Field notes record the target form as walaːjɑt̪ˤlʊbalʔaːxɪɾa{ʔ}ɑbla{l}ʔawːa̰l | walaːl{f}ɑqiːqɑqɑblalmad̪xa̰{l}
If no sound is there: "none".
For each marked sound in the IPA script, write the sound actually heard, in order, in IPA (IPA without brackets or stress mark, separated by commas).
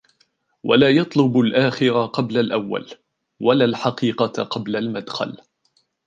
q, l, ħ, l